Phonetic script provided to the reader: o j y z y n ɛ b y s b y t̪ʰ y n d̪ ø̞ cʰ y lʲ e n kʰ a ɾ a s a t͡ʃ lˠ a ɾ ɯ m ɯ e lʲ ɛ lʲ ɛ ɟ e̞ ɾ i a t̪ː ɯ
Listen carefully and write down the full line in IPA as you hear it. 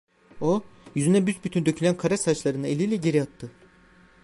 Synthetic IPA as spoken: o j y z y n ɛ b y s b y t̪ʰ y n d̪ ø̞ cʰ y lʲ æ n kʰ a ɾ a s a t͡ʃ lˠ a ɾ ɯ n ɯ e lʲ i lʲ ɛ ɟ e̞ ɾ i a t̪ː ɯ